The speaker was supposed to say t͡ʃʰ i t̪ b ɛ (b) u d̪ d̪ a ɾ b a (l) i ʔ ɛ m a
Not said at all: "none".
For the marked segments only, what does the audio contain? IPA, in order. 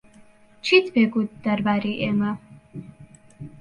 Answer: ɡ, ɾ

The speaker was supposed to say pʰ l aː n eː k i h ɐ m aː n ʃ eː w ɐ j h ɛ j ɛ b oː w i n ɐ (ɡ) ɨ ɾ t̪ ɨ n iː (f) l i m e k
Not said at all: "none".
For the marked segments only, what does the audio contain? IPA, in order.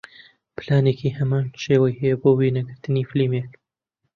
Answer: ɡ, f

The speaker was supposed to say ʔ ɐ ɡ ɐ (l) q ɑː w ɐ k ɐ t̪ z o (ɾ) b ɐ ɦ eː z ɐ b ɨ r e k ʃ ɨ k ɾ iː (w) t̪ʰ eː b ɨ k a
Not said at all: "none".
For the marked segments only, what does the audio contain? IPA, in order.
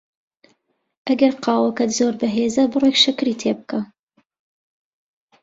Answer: ɾ, ɾ, none

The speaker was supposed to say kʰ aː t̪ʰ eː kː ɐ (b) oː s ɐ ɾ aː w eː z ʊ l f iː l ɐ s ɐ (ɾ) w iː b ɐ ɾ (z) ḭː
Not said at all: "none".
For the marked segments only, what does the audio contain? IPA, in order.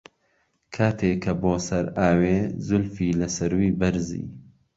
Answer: b, ɾ, z

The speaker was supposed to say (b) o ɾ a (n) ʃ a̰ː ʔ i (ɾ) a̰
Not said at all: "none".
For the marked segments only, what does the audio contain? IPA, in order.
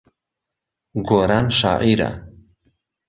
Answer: ɡ, n, ɾ

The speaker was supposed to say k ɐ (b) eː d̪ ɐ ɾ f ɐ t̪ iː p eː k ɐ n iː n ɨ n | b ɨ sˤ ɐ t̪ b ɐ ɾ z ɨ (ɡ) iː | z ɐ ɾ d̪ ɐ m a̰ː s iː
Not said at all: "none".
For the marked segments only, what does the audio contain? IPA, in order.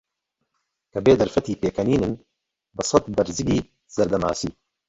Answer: b, ɡ

